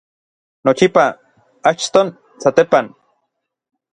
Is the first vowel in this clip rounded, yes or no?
yes